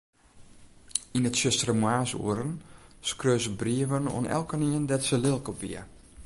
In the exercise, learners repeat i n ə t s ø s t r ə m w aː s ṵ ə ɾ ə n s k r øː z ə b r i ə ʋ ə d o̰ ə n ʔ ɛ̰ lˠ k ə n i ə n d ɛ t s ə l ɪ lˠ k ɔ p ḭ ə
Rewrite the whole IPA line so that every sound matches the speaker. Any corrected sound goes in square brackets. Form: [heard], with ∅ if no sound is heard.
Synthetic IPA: i n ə t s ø s t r ə m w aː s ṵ ə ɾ ə n s k r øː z ə b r i ə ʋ ə [n] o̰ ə n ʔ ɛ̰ lˠ k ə n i ə n d ɛ t s ə l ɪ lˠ k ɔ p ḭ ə